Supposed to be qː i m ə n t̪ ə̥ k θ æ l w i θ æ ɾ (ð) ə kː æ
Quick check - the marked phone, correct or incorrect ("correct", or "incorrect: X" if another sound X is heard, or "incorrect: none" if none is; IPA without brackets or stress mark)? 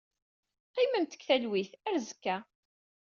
incorrect: z